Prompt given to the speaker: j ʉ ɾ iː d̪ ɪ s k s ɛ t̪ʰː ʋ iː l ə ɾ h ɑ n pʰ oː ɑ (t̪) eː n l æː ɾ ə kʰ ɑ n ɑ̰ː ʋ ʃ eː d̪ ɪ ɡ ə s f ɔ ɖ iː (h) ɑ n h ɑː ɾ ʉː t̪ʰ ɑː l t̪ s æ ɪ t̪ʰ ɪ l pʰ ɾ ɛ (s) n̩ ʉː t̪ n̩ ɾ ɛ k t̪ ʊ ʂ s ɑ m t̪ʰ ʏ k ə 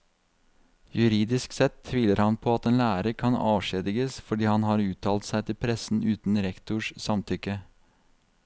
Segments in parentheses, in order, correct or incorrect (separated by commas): correct, correct, correct